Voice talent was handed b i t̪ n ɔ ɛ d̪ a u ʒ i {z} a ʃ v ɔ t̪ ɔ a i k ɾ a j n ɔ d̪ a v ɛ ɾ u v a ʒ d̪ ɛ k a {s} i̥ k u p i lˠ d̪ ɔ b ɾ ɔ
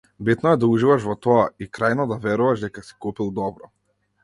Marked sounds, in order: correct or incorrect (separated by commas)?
incorrect, correct